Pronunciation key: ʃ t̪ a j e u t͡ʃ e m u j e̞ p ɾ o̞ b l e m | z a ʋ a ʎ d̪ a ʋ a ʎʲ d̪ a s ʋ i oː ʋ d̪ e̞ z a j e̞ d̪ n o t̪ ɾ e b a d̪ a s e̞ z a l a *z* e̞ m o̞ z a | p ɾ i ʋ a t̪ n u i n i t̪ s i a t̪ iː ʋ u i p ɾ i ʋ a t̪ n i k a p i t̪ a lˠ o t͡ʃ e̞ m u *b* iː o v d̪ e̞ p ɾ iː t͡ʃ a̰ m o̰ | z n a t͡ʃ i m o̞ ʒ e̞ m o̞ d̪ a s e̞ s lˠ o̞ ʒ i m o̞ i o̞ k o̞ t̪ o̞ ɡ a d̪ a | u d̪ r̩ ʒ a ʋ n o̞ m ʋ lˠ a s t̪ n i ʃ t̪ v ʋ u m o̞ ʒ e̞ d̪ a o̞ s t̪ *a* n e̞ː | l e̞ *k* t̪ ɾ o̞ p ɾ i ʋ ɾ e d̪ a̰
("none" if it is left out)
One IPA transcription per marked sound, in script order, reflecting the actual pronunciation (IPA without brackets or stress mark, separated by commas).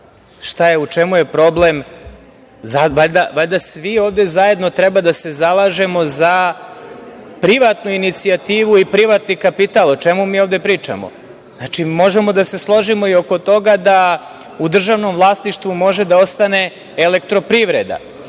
ʒ, m, a, k